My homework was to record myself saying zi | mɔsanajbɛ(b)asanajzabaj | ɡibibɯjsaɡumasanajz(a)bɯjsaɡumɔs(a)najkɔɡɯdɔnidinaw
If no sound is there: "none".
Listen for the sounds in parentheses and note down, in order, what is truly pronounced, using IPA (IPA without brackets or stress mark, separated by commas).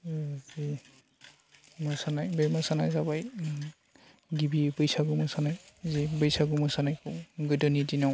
m, i, a